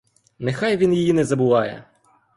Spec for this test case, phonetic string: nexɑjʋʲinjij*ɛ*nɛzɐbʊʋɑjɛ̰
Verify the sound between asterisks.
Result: incorrect: i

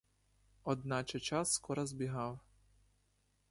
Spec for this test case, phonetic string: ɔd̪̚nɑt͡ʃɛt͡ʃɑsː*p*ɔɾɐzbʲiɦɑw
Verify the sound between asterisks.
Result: incorrect: k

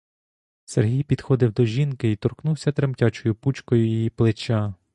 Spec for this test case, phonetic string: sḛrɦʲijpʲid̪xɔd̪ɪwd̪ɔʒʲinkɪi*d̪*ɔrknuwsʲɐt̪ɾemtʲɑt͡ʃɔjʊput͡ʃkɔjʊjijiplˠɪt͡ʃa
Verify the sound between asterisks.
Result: incorrect: t̪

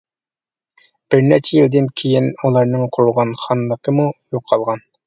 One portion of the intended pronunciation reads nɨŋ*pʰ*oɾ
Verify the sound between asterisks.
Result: incorrect: qʰ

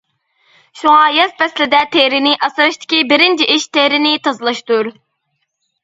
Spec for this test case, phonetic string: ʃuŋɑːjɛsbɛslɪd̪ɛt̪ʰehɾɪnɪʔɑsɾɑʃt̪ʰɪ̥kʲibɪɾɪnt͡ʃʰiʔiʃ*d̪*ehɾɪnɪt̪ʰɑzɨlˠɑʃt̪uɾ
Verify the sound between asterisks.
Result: incorrect: t̪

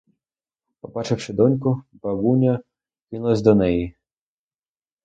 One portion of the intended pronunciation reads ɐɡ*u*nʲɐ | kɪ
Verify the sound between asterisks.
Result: correct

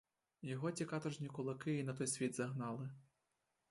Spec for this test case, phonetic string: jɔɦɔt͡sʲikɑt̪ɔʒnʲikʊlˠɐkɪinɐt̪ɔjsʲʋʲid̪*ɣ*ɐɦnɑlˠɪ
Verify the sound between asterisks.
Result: incorrect: z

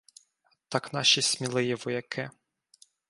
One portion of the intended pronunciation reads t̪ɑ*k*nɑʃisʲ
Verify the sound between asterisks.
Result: correct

